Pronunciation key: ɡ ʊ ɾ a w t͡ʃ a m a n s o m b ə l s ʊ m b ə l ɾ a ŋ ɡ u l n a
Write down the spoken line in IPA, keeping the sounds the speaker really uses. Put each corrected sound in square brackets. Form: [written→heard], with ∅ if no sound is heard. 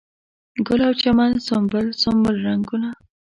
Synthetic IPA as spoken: ɡ ʊ [ɾ→l] a w t͡ʃ a m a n s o m b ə l s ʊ m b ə l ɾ a ŋ ɡ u [l→∅] n a

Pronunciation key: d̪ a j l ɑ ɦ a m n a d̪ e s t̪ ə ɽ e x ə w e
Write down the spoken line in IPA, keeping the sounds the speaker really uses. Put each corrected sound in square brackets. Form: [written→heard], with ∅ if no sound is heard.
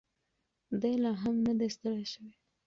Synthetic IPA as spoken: d̪ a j l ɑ ɦ a m n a d̪ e s t̪ ə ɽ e [x→ʃ] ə w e

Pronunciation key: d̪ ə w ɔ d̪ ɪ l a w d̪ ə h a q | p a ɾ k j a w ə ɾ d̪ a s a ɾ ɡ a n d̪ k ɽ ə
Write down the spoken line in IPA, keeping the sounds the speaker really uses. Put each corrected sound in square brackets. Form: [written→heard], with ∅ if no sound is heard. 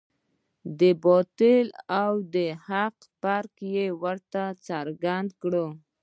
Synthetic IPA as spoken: d̪ ə [w→b] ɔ [d̪→t̪] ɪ l a w d̪ ə h a q | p a ɾ k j [a→e] w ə ɾ [d̪→t̪] a [s→t͡s] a ɾ ɡ a n d̪ k ɽ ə

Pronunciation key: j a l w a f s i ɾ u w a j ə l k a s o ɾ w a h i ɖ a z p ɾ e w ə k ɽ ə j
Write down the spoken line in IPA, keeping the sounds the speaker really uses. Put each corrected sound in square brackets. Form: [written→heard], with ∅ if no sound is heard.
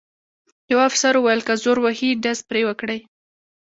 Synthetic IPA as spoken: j a [l→∅] w a f s [i→a] ɾ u w a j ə l k a [s→z] o ɾ w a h i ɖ a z p ɾ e w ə k ɽ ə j

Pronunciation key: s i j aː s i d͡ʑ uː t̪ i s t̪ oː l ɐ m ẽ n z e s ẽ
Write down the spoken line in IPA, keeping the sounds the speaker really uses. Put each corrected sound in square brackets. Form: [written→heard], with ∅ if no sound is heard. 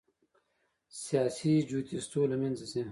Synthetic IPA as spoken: s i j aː s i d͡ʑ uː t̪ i s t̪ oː l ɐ m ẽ n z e s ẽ

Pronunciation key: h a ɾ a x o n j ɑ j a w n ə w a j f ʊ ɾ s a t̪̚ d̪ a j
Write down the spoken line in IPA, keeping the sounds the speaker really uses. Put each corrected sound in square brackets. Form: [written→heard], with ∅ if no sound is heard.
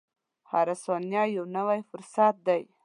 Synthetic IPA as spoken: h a ɾ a [x→s] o n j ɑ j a w n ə w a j f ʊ ɾ s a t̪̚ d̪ a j

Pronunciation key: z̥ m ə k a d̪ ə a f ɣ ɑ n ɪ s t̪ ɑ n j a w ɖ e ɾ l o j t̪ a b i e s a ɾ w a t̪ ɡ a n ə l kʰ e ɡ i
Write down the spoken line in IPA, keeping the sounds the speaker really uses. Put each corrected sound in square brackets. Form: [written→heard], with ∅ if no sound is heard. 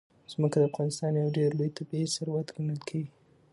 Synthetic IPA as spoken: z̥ m ə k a d̪ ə a f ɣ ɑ n ɪ s t̪ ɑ n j a w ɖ e ɾ l o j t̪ a b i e s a ɾ w a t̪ ɡ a n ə l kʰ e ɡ i

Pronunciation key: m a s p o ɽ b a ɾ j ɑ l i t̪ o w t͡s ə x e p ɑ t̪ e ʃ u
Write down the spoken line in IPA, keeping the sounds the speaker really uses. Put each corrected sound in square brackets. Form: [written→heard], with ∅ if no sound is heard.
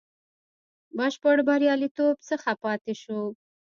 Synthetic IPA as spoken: [m→b] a [s→ʃ] p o ɽ b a ɾ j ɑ l i t̪ o [w→b] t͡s ə x [e→a] p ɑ t̪ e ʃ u

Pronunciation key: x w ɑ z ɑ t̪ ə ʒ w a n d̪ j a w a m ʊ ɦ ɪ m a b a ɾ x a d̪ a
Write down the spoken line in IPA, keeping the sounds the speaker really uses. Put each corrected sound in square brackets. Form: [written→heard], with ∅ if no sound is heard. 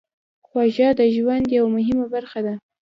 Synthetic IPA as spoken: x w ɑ [z→ʒ] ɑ [t̪→d̪] ə ʒ w a n d̪ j a w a m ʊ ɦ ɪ m a b a ɾ x a d̪ a

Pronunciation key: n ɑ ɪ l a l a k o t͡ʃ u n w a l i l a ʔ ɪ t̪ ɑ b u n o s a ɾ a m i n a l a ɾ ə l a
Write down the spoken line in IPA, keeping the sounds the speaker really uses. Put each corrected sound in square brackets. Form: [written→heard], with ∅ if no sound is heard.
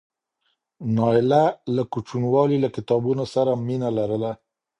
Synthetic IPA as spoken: n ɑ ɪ l a l a k [o→u] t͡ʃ u n w [a→ɑ] l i l a [ʔ→k] ɪ t̪ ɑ b u n o s a ɾ a m i n a l a ɾ ə l a

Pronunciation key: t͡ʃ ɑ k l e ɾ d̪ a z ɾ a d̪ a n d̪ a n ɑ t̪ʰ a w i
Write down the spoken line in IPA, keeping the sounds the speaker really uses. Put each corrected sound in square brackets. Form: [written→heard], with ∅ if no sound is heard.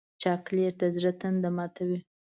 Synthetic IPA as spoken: t͡ʃ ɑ k l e ɾ [d̪→t̪] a z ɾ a [d̪→t̪] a n d̪ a [n→m] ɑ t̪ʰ a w i

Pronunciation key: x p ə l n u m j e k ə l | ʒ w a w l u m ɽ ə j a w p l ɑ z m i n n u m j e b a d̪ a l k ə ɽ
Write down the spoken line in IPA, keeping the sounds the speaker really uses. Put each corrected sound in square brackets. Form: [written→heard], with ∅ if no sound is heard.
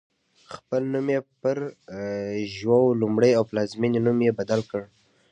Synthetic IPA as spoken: x p ə l n u m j e [k→p] ə [l→ɾ] | ʒ w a w l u m ɽ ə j a w p l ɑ z m i n n u m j e b a d̪ a l k ə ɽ

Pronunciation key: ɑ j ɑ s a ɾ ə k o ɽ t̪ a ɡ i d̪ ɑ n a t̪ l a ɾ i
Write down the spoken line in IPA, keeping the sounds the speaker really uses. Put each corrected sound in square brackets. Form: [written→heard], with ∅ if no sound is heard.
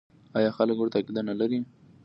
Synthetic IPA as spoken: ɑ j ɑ [s→x] a [ɾ→l] ə k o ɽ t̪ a [ɡ→k] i d̪ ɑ n a [t̪→∅] l a ɾ i

